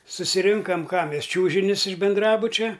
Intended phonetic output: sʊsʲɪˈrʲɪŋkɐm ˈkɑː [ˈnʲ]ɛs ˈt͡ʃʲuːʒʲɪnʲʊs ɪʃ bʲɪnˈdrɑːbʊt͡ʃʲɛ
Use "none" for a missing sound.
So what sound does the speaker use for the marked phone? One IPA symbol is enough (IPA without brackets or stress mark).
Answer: mʲ